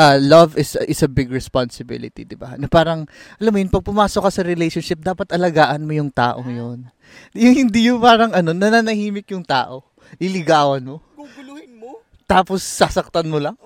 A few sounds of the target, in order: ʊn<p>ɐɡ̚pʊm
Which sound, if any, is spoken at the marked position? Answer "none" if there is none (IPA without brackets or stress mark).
p